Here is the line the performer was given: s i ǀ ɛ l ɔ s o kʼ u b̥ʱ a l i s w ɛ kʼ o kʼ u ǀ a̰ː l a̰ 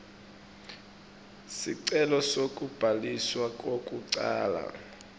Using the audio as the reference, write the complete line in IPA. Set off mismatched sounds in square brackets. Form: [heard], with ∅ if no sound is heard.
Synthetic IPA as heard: s i ǀ ɛ l ɔ s o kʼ u b̥ʱ a l i s w [a] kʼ o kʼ u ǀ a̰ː l a̰